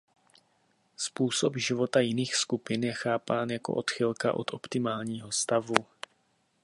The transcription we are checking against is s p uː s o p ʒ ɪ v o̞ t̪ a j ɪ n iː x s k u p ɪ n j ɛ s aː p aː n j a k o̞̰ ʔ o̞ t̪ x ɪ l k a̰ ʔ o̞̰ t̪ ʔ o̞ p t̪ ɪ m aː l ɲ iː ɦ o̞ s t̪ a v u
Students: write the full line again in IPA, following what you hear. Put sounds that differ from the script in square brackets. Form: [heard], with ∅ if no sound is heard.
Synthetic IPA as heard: s p uː s o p ʒ ɪ v o̞ t̪ a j ɪ n iː x s k u p ɪ n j ɛ [x] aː p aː n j a k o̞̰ ʔ o̞ t̪ x ɪ l k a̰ ʔ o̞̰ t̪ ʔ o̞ p t̪ ɪ m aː l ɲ iː ɦ o̞ s t̪ a v u